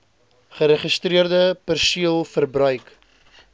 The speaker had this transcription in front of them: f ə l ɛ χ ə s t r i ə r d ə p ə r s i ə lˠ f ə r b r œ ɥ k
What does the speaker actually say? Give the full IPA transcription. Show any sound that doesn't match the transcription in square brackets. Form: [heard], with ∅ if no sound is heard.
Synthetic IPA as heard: [χ] ə [ɾ] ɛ χ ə s t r i ə r d ə p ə r s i ə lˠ f ə r b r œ ɥ k